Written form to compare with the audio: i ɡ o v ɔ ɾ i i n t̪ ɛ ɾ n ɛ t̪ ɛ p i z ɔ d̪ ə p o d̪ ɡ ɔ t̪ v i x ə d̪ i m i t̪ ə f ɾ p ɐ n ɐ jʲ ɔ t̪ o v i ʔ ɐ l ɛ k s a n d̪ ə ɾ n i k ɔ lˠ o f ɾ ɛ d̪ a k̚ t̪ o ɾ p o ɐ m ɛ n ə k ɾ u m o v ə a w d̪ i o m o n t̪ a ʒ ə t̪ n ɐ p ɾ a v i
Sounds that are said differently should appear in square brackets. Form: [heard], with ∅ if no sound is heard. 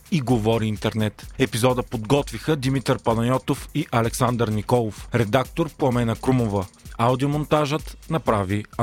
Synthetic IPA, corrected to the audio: i ɡ o v ɔ ɾ i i n t̪ ɛ ɾ n ɛ t̪ ɛ p i z ɔ d̪ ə p o d̪ ɡ ɔ t̪ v i x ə d̪ i m i t̪ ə [∅] ɾ p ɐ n ɐ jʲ ɔ t̪ o [f] i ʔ ɐ l ɛ k s a n d̪ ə ɾ n i k ɔ lˠ o f ɾ ɛ d̪ a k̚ t̪ o ɾ p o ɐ m ɛ n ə k ɾ u m o v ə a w d̪ i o m o n t̪ a ʒ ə t̪ n ɐ p ɾ a v i